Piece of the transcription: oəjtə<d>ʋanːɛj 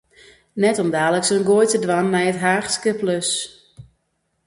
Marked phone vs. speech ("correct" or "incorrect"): correct